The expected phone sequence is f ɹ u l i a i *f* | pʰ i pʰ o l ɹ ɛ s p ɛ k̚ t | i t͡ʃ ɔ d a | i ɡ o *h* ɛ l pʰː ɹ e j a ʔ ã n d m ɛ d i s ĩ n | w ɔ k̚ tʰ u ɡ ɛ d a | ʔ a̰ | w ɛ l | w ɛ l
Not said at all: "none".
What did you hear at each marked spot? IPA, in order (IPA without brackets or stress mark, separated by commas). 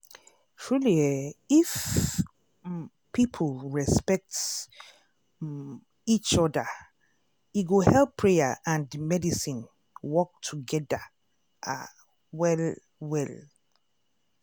f, h